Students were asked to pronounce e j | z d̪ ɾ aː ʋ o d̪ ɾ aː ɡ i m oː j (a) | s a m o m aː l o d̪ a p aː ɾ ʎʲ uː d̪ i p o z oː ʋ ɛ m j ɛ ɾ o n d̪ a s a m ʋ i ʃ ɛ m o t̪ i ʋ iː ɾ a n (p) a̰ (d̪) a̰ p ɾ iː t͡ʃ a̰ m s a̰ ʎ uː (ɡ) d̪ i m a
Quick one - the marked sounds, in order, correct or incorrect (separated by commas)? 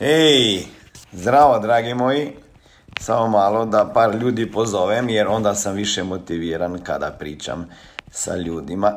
incorrect, incorrect, correct, incorrect